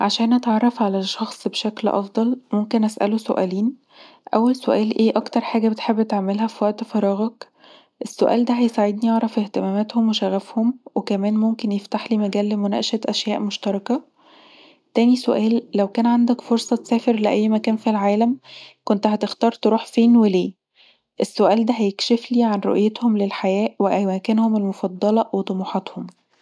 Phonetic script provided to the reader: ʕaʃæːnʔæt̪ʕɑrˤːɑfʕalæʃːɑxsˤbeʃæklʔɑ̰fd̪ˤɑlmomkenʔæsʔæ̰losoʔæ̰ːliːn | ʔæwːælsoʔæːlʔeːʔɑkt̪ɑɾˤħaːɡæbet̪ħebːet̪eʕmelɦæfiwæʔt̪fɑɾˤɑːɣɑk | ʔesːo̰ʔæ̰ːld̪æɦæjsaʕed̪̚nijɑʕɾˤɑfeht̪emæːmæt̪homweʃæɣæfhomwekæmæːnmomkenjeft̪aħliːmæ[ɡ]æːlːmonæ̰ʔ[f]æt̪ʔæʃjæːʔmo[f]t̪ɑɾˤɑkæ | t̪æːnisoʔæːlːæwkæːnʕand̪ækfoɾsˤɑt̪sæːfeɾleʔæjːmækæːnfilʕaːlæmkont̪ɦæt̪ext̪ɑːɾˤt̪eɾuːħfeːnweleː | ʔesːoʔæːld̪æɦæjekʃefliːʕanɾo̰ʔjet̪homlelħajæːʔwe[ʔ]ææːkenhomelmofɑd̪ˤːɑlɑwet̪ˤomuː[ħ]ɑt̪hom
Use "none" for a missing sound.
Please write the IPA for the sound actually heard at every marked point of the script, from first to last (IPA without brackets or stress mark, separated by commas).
ɡ, ʃ, ʃ, ʔ, ħ